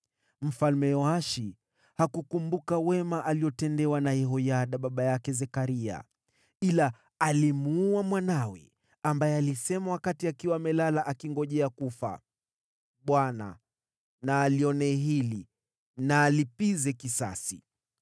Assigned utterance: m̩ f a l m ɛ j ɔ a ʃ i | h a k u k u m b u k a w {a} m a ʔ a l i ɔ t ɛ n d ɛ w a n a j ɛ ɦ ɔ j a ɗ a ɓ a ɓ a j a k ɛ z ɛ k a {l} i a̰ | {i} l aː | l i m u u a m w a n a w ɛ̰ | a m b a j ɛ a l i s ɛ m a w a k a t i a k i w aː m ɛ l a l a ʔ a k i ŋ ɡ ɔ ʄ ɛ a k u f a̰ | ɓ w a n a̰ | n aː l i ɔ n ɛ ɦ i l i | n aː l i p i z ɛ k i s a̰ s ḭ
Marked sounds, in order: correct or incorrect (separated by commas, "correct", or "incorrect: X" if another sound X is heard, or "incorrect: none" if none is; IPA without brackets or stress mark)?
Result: incorrect: ɛ, incorrect: ɾ, correct